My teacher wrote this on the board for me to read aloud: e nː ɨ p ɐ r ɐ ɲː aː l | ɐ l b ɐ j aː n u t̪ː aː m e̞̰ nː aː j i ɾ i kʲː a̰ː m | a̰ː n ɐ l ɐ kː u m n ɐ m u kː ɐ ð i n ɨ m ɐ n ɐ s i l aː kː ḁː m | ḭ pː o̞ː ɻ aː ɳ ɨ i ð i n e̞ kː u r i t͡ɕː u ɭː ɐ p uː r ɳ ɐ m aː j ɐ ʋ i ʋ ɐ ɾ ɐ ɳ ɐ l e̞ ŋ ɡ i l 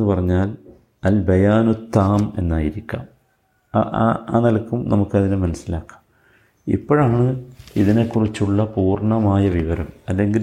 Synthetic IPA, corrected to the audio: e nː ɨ p ɐ r ɐ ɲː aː l | ɐ l b ɐ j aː n u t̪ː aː m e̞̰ nː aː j i ɾ i kʲː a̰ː m | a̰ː n ɐ l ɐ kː u m n ɐ m u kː ɐ ð i n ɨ m ɐ n ɐ s i l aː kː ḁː m | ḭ pː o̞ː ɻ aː ɳ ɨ i ð i n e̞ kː u r i t͡ɕː u ɭː ɐ p uː r ɳ ɐ m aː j ɐ ʋ i ʋ ɐ ɾ ɐ m ɐ lː e̞ ŋ ɡ i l